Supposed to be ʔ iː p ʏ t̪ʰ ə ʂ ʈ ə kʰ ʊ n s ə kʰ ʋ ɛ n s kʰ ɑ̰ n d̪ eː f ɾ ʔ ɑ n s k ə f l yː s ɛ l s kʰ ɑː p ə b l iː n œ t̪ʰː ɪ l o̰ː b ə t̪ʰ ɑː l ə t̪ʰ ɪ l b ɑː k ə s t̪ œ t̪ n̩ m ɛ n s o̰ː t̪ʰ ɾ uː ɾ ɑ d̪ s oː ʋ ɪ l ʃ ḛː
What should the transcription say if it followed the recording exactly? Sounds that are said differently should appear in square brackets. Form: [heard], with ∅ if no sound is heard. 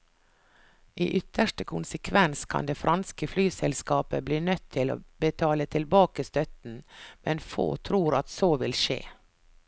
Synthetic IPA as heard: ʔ iː [ʔ] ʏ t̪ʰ ə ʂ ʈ ə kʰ ʊ n s ə kʰ ʋ ɛ n s kʰ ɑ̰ n d̪ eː f ɾ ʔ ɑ n s k ə f l yː s ɛ l s [k] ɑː p ə b l iː n œ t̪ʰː ɪ l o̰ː b ə t̪ʰ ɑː l ə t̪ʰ ɪ l b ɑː k ə s t̪ œ t̪ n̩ m ɛ n [f] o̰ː t̪ʰ ɾ uː ɾ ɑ [t̪] s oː ʋ ɪ l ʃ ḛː

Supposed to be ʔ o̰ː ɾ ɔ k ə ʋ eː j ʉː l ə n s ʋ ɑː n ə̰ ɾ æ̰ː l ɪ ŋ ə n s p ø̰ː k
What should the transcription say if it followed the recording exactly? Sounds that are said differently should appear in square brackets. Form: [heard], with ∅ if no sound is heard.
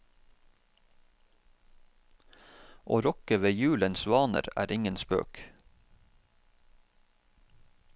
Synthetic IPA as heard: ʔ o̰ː ɾ ɔ k ə ʋ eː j ʉː l ə n s ʋ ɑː n ə̰ ɾ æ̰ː [ɾ] ɪ ŋ ə n s p ø̰ː k

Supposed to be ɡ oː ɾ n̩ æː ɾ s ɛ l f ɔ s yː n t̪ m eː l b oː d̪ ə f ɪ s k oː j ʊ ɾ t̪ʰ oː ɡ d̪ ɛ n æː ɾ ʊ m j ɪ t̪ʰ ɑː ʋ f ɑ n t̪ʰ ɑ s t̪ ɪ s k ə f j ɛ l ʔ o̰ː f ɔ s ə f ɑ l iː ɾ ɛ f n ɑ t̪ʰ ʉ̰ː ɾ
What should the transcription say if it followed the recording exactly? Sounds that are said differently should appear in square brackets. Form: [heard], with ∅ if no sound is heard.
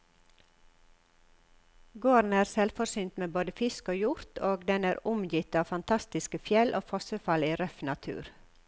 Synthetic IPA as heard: ɡ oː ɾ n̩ æː ɾ s ɛ l f ɔ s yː n t̪ m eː [∅] b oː d̪ ə f ɪ s k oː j ʊ ɾ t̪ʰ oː ɡ d̪ ɛ n æː ɾ ʊ m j ɪ [t̪] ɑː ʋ f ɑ n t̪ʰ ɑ s t̪ ɪ s k ə f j ɛ l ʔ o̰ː f ɔ s ə f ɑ l iː ɾ [œ] f n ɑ t̪ʰ ʉ̰ː ɾ

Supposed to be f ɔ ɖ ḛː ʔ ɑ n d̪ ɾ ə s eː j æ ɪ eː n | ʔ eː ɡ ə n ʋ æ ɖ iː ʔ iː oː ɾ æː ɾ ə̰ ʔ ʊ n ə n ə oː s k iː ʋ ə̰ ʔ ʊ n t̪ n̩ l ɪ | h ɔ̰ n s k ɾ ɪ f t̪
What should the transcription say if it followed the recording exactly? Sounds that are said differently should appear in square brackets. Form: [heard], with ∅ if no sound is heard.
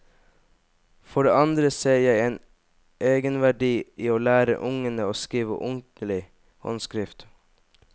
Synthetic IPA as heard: f ɔ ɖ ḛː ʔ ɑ n d̪ ɾ ə s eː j æ ɪ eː n | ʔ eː ɡ ə n ʋ æ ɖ iː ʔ iː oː [l] æː ɾ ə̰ ʔ ʊ [ŋ] ə n ə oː s k iː ʋ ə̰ ʔ ʊ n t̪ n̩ l ɪ | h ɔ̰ n s k ɾ ɪ f t̪

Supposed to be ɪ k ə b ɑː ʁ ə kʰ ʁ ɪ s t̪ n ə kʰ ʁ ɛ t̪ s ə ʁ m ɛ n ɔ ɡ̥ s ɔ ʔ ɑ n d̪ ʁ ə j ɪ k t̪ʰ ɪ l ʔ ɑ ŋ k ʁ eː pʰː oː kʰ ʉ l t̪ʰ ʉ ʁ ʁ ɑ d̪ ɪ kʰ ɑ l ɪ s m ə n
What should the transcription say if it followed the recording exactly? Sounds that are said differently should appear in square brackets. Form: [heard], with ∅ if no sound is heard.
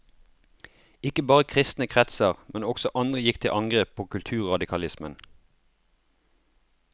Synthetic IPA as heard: ɪ k ə b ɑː ʁ ə kʰ ʁ ɪ s t̪ n ə kʰ ʁ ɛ t̪ s ə ʁ m ɛ n ɔ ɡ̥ s ɔ ʔ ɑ n d̪ ʁ ə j ɪ k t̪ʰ ɪ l ʔ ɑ ŋ [ɡ] ʁ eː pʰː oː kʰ ʉ l t̪ʰ [ʉː] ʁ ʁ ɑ d̪ ɪ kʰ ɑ l ɪ s m ə n

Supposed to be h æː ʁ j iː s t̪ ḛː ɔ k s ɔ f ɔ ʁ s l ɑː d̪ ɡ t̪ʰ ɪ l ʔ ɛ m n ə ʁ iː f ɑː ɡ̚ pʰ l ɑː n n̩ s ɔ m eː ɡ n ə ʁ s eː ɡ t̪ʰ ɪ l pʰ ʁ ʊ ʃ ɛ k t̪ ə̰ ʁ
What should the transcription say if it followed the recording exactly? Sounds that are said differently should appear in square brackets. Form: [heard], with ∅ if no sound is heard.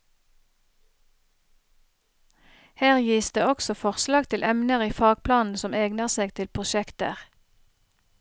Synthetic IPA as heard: h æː ʁ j iː s [d̪] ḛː ɔ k s ɔ f ɔ ʁ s l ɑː [∅] ɡ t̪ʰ ɪ l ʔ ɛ m n ə ʁ iː f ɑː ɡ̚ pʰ l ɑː n n̩ s ɔ m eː ɡ n ə ʁ s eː ɡ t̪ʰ ɪ l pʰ ʁ ʊ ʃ ɛ k t̪ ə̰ ʁ

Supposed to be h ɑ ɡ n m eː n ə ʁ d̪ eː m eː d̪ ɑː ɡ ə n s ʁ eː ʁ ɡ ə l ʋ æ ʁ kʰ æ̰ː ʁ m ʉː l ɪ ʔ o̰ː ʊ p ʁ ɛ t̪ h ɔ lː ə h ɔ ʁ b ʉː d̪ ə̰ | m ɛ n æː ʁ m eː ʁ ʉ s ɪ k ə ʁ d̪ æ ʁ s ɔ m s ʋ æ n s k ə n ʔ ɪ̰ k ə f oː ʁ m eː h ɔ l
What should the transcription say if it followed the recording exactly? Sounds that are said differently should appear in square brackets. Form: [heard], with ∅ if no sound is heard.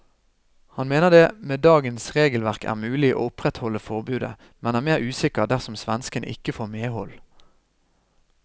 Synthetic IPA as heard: h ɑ [∅] n m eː n ə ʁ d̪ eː m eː d̪ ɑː ɡ ə n s ʁ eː [∅] ɡ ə l ʋ æ ʁ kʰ æ̰ː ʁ m ʉː l ɪ ʔ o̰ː ʊ p ʁ ɛ t̪ h ɔ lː ə [f] ɔ ʁ b ʉː d̪ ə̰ | m ɛ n æː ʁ m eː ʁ [ʉː] s ɪ k ə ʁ d̪ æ ʁ s ɔ m s ʋ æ n s k ə n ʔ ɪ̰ k ə f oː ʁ m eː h ɔ l

